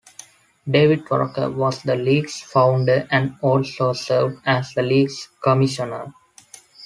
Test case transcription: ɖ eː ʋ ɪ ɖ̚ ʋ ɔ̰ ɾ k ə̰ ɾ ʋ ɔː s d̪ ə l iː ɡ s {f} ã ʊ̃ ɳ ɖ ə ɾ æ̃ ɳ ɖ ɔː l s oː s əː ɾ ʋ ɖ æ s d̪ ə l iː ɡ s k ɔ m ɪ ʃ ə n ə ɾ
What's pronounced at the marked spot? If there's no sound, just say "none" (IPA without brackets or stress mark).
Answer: f